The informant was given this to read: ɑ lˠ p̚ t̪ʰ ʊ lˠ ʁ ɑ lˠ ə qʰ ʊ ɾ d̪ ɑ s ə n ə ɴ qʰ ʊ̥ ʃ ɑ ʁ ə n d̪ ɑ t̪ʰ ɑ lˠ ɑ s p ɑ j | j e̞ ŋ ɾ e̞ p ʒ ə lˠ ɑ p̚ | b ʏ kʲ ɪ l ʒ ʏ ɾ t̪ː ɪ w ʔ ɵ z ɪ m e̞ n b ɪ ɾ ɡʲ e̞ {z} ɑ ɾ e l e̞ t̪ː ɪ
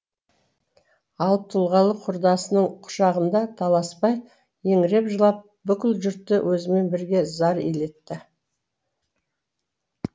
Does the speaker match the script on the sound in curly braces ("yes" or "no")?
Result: yes